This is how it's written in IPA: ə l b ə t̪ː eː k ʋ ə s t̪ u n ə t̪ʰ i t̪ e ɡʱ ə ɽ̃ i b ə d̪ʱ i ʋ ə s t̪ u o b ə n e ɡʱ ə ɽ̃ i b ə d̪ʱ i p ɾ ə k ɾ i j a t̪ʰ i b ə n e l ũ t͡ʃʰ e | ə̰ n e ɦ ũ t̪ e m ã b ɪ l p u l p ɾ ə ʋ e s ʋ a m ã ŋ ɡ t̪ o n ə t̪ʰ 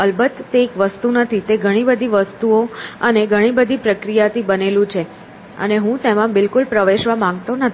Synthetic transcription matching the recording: ə l b ə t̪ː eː k ʋ ə s t̪ u n ə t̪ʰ i t̪ e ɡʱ ə ɽ̃ i b ə d̪ʱ i ʋ ə s t̪ u o ə n e ɡʱ ə ɽ̃ i b ə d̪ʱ i p ɾ ə k ɾ i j a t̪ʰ i b ə n e l ũ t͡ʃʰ e | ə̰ n e ɦ ũ t̪ e m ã b ɪ l k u l p ɾ ə ʋ e ʃ ʋ a m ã ŋ ɡ t̪ o n ə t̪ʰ